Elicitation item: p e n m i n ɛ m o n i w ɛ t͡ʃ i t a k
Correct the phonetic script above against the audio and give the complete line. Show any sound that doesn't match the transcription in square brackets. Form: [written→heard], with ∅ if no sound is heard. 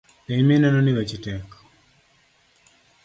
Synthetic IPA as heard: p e [n→ɲ] m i n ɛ [m→n] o n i w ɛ t͡ʃ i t [a→ɛ] k